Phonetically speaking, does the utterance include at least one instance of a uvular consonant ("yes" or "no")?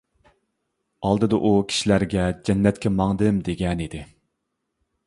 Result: no